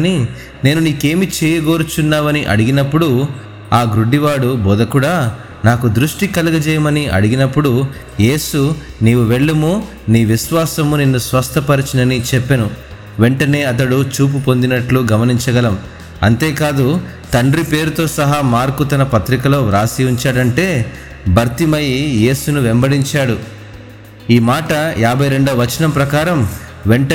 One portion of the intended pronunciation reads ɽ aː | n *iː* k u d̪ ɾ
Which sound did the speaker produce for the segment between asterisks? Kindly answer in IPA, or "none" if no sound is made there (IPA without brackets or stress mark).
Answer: aː